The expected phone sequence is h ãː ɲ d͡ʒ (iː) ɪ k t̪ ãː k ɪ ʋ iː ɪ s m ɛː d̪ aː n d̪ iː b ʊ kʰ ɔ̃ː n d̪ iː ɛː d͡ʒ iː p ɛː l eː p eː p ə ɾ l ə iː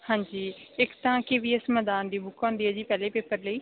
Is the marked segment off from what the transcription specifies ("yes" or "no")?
no